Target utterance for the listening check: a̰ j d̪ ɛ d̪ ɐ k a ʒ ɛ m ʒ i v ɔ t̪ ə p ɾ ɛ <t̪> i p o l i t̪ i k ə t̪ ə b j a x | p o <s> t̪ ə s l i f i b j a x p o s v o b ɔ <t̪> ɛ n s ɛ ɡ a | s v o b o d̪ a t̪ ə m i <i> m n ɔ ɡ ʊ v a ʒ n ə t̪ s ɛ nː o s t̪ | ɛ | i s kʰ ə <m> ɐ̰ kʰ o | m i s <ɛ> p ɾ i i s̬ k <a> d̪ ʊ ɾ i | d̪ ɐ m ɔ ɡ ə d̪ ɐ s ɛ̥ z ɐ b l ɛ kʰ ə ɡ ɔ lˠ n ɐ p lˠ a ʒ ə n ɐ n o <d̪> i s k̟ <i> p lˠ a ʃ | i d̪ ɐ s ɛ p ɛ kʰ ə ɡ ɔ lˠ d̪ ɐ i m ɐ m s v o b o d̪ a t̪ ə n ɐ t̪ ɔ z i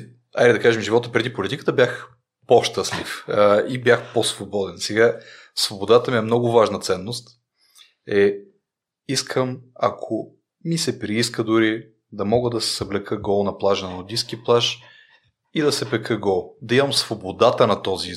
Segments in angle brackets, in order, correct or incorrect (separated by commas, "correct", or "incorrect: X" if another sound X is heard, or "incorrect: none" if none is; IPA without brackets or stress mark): incorrect: d̪, incorrect: ʃ, incorrect: d̪, incorrect: ɛ, correct, correct, incorrect: ə, correct, correct